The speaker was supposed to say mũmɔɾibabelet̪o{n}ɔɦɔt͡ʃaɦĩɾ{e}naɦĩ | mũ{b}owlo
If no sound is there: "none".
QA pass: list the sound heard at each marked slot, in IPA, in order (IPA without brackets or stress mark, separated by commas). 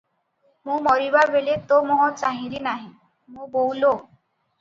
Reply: m, i, b